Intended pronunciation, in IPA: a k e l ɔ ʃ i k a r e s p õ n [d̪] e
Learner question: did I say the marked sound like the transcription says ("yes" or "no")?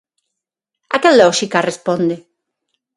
yes